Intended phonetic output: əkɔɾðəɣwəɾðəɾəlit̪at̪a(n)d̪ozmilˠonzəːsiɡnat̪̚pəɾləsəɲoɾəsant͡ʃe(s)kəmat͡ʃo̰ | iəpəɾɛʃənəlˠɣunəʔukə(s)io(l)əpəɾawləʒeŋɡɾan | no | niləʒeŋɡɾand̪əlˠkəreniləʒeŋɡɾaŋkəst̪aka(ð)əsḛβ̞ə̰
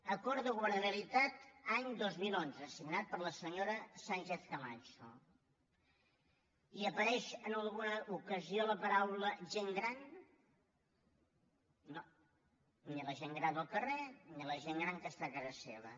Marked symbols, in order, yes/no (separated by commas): no, no, no, yes, no